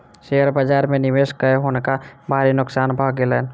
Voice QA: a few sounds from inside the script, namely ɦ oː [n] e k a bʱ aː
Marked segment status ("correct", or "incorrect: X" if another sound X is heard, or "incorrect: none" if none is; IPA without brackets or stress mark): correct